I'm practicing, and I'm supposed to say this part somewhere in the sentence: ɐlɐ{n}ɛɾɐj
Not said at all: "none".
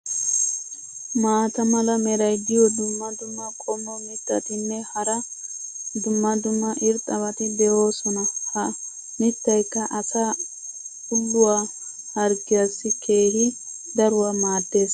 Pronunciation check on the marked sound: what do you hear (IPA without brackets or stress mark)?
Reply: m